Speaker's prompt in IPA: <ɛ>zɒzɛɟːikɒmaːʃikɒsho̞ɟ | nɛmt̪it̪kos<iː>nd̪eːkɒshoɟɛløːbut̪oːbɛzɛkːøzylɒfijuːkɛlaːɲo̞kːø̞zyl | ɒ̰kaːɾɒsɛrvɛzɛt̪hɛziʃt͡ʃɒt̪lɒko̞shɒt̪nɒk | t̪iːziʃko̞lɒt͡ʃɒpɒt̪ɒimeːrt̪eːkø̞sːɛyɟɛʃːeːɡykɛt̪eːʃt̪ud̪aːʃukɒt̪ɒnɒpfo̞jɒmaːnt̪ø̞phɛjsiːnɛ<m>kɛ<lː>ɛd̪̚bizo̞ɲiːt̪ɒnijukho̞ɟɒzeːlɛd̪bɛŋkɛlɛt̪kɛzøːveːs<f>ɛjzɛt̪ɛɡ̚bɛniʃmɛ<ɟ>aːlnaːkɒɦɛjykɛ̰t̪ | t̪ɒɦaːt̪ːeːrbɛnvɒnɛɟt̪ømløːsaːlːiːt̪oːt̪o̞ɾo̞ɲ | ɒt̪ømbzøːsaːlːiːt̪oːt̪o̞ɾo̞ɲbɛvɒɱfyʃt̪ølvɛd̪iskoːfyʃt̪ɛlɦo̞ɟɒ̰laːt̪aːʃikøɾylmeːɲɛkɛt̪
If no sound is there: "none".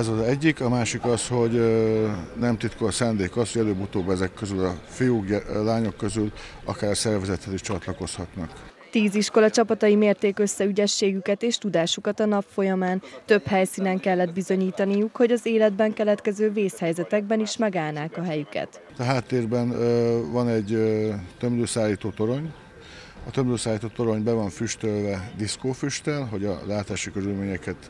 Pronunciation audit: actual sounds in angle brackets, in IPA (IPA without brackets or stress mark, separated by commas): ɛ, aː, ŋ, lː, h, ɡ